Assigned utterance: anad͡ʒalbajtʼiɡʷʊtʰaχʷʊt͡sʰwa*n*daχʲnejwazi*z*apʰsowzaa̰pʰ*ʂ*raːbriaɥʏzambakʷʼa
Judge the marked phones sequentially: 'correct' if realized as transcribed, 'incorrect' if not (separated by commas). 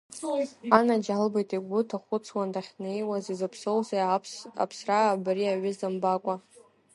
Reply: correct, correct, incorrect